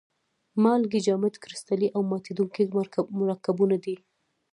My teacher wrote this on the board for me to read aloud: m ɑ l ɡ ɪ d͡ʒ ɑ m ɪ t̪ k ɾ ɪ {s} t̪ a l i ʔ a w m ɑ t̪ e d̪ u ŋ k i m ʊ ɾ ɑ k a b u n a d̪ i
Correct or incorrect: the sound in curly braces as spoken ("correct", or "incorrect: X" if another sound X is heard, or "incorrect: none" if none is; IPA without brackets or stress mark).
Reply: correct